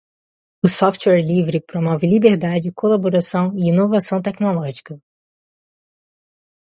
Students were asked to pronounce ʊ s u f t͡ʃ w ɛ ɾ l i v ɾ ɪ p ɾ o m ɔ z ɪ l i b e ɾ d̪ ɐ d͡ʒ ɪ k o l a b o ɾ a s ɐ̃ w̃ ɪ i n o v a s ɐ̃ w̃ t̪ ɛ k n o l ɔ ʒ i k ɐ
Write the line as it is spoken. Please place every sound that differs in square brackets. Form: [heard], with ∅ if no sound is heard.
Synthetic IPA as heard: ʊ s [ɔ] f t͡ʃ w ɛ ɾ l i v ɾ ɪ p ɾ o m ɔ [v] ɪ l i b e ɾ d̪ [a] d͡ʒ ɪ k o l a b o ɾ a s ɐ̃ w̃ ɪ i n o v a s ɐ̃ w̃ t̪ ɛ k n o l ɔ ʒ i k ɐ